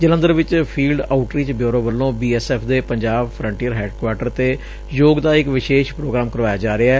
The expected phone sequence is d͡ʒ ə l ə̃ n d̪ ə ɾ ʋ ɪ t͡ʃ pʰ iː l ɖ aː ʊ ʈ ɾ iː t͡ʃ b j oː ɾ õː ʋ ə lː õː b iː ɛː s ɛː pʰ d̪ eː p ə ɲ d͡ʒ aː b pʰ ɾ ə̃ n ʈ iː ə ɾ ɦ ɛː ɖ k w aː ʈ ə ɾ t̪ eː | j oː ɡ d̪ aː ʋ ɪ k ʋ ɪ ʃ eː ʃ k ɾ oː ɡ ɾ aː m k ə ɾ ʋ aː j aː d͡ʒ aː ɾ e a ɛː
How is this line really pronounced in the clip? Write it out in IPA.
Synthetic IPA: d͡ʒ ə l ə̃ n d̪ ə ɾ ʋ ɪ t͡ʃ pʰ iː l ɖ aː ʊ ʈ ɾ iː t͡ʃ b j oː ɾ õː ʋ ə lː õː b iː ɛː s ɛː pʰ d̪ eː p ə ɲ d͡ʒ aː b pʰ ɾ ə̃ ɳ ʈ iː ə ɾ ɦ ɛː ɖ k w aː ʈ ə ɾ t̪ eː | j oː ɡ d̪ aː ɪ k ʋ ɪ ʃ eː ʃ p ɾ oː ɡ ɾ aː m k ə ɾ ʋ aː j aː d͡ʒ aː ɾ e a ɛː